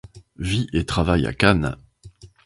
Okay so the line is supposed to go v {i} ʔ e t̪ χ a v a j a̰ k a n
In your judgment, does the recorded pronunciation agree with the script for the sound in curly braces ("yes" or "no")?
yes